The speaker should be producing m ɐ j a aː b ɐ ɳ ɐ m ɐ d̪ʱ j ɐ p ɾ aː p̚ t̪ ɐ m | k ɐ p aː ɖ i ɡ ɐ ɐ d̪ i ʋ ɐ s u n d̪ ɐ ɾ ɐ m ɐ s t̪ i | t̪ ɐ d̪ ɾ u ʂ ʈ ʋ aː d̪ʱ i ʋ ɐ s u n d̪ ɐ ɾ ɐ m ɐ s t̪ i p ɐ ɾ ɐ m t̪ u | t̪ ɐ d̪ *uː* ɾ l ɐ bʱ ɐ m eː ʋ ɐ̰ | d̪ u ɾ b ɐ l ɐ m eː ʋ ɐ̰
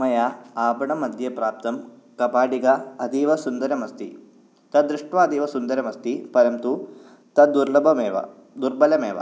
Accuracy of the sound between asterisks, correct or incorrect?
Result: incorrect: u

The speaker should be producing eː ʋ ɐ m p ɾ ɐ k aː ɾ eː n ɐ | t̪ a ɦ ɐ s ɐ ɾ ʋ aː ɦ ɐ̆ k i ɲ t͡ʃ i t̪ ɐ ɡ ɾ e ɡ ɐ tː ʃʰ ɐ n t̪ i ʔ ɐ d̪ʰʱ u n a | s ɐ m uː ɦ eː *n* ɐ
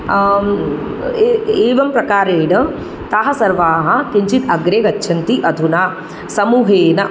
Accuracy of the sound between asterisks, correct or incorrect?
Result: correct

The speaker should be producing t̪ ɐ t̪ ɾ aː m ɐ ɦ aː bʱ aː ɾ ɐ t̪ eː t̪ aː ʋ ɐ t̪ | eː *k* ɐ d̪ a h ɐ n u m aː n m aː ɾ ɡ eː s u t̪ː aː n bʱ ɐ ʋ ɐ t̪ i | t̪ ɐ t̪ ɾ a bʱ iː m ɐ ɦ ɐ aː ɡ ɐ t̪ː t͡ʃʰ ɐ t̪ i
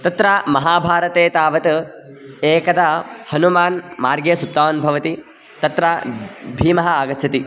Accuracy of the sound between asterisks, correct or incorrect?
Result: correct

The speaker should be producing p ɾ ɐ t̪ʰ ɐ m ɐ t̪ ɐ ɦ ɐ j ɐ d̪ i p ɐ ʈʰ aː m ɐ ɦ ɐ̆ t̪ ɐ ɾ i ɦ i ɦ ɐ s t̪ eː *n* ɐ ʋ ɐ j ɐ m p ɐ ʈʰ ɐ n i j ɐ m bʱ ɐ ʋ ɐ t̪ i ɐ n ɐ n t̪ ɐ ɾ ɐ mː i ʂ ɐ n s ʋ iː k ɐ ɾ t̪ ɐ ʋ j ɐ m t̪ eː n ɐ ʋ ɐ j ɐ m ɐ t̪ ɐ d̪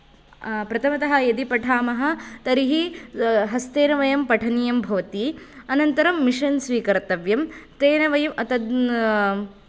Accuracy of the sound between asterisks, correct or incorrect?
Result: correct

